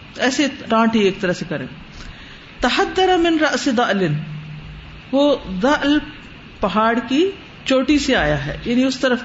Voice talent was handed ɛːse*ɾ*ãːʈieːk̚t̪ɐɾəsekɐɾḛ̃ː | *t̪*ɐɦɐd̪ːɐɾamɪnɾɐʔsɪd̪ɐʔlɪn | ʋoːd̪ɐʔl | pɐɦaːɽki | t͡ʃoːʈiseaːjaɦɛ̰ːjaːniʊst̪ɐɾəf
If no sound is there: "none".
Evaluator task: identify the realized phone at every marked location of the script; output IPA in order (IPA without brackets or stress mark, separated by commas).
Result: ɾ, t̪